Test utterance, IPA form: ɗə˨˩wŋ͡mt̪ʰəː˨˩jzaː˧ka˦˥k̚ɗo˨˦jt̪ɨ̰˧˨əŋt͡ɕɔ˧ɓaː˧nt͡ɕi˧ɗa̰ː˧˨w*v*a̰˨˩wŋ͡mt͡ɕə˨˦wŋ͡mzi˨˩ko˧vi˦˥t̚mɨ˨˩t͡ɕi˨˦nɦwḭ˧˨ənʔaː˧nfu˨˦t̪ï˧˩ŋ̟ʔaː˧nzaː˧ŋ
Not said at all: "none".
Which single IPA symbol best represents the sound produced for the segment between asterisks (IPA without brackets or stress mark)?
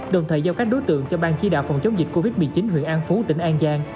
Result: f